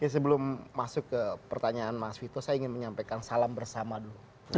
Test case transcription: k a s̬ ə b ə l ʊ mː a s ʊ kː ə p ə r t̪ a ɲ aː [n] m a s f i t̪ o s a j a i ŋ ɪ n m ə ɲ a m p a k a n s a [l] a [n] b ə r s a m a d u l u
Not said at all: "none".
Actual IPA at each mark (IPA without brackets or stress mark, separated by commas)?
n, l, m